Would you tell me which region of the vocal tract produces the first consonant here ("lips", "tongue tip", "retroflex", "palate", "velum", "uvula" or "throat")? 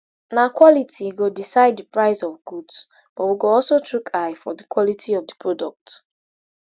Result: tongue tip